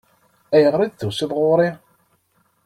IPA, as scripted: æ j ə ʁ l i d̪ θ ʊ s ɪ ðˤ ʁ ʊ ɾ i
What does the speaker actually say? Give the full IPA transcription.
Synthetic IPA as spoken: æ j ə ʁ ɾ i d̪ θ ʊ s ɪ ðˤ ʁ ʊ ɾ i